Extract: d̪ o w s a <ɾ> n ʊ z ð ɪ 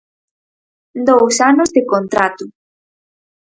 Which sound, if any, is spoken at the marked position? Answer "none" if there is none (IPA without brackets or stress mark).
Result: none